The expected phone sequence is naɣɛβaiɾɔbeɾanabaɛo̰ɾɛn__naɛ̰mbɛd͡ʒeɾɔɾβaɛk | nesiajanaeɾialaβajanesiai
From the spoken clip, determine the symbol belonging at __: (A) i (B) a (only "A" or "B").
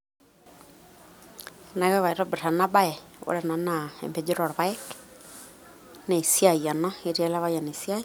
B